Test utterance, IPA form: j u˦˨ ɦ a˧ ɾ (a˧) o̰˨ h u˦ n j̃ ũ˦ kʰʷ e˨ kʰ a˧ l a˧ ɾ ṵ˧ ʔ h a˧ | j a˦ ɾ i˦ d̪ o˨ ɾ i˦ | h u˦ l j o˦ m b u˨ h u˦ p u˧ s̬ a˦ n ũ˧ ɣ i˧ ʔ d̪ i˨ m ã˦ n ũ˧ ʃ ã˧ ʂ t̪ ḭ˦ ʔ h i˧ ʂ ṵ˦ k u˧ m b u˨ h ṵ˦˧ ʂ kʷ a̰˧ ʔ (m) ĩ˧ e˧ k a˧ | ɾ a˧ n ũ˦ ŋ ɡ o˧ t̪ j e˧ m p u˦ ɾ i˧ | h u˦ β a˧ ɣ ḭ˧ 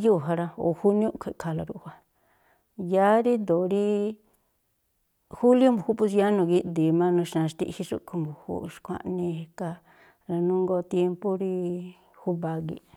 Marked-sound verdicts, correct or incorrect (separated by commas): correct, incorrect